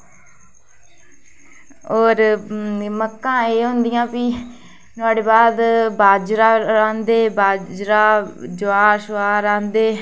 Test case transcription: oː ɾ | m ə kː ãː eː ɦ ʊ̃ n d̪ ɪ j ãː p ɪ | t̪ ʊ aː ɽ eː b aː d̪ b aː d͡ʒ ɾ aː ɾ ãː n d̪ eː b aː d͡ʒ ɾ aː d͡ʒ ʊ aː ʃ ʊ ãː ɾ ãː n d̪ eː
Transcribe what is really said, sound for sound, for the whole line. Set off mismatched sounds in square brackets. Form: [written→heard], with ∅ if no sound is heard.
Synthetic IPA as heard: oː ɾ | m ə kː ãː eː ɦ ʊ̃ n d̪ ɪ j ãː p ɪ | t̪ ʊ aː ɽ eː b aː d̪ b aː d͡ʒ ɾ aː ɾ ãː n d̪ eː b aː d͡ʒ ɾ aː d͡ʒ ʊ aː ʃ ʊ [ãː→aː] ɾ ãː n d̪ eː